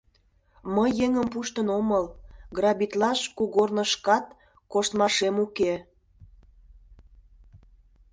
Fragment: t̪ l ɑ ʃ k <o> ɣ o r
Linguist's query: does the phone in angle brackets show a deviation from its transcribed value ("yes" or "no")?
yes